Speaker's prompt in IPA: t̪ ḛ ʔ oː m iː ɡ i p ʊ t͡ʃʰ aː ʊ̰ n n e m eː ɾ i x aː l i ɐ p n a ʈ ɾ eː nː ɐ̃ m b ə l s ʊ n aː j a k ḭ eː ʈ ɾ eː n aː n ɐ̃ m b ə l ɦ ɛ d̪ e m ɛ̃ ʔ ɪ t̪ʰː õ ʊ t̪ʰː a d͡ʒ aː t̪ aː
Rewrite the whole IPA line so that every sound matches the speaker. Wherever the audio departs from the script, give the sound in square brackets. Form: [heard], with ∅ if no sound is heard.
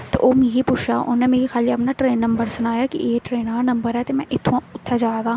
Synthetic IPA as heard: t̪ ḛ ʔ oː m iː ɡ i p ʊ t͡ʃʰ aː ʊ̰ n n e m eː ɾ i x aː l i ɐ p n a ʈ ɾ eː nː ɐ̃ m b ə [ɾ] s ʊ n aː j a k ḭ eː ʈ ɾ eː n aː n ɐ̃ m b ə [ɾ] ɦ ɛ [t̪] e m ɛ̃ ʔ ɪ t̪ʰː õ ʊ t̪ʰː a d͡ʒ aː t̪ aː

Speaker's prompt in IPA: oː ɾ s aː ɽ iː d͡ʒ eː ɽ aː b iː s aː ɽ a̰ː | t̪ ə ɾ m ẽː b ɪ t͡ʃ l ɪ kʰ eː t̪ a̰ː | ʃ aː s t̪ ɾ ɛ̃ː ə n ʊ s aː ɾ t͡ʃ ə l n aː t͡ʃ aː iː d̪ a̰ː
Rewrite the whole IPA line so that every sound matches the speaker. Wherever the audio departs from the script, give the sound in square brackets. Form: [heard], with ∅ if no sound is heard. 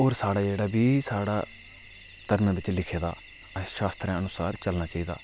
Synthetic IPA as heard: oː ɾ s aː ɽ [aː] d͡ʒ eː ɽ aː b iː s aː ɽ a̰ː | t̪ ə ɾ m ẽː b ɪ t͡ʃ l ɪ kʰ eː [d̪] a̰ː | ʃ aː s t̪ ɾ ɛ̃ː ə n ʊ s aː ɾ t͡ʃ ə l n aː t͡ʃ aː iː d̪ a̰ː

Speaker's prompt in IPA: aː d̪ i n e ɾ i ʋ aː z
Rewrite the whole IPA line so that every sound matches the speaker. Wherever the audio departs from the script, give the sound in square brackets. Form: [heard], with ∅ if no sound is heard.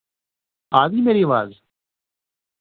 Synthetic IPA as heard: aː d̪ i [m] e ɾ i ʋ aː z

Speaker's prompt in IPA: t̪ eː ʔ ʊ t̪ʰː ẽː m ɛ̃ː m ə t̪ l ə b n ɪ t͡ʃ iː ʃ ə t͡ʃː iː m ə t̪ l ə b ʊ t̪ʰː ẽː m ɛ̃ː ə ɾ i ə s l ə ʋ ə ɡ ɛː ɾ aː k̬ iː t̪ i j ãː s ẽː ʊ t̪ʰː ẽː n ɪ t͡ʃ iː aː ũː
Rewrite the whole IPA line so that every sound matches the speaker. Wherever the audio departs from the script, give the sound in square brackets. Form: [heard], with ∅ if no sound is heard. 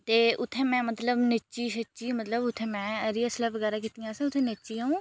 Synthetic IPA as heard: t̪ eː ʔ ʊ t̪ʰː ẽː m ɛ̃ː m ə t̪ l ə b n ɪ t͡ʃ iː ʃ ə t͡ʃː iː m ə t̪ l ə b ʊ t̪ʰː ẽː m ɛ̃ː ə ɾ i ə s l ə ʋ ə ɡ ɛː ɾ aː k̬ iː t̪ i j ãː s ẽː ʊ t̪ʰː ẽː n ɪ t͡ʃ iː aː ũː

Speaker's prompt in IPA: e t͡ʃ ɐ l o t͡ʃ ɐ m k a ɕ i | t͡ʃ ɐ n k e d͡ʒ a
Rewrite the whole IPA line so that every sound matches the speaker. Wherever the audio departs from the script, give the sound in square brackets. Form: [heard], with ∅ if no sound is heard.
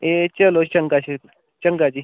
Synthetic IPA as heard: e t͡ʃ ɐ l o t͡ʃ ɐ [ŋ] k a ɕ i | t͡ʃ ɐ [ŋ] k [a] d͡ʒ [i]

